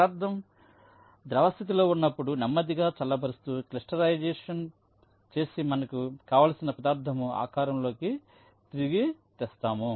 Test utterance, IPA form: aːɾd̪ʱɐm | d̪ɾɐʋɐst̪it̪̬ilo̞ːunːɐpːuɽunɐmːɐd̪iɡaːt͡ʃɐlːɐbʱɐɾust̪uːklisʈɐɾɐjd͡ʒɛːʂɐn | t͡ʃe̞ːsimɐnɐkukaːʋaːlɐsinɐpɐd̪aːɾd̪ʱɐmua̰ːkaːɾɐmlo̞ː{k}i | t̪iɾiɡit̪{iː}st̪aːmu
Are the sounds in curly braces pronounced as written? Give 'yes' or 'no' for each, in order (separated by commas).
yes, no